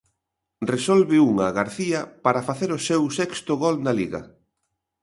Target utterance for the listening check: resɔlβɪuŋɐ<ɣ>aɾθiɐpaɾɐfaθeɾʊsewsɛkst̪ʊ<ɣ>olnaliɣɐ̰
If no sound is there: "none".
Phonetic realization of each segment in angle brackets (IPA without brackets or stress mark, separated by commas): ɣ, ɣ